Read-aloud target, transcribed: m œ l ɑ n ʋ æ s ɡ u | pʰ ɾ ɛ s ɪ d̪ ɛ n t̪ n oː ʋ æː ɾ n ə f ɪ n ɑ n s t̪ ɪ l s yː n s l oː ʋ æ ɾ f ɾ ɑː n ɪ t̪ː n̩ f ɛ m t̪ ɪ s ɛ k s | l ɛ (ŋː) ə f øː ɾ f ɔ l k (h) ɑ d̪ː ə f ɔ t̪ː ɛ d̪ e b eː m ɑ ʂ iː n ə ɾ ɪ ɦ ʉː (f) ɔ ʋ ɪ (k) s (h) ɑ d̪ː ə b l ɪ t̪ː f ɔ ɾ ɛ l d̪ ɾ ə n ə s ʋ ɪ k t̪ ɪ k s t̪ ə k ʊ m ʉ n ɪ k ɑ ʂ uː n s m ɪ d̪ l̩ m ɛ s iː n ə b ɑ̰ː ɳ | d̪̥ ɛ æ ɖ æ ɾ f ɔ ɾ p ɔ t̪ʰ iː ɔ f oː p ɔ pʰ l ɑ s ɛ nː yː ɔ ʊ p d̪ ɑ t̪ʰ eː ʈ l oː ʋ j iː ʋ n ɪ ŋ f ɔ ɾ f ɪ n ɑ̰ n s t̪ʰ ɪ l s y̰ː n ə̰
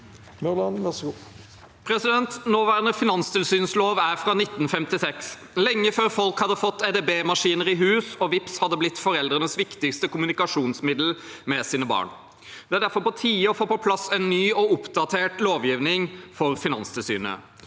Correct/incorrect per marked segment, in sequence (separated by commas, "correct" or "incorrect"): correct, correct, incorrect, incorrect, correct